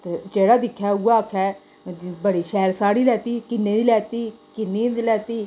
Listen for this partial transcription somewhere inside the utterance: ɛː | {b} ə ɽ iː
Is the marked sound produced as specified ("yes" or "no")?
yes